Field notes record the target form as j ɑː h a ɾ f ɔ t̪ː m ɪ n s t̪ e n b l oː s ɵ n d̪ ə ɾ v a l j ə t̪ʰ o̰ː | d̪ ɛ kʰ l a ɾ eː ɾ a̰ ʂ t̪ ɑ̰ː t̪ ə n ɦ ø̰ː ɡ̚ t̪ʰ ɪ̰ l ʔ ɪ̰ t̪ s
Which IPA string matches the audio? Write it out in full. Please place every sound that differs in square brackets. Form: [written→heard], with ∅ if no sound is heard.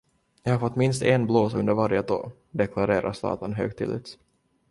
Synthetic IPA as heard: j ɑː h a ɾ f ɔ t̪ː m ɪ n s t̪ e n b l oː s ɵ n d̪ ə ɾ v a [l→ɾ] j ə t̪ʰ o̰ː | d̪ ɛ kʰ l a ɾ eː ɾ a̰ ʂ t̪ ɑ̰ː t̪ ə n ɦ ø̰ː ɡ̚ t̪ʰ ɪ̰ l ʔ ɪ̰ t̪ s